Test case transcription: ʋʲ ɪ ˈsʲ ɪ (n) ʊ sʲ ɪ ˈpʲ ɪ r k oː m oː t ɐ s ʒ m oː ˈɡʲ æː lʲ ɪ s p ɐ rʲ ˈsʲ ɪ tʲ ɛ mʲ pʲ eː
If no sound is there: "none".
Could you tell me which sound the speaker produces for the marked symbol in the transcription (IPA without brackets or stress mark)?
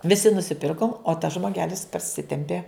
n